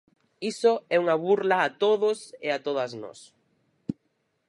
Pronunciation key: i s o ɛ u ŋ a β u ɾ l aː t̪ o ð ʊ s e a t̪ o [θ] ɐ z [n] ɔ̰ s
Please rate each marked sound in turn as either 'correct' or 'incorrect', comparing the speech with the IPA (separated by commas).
incorrect, correct